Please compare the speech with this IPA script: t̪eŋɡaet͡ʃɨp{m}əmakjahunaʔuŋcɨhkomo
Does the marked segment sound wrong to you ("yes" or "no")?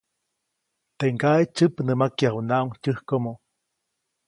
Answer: yes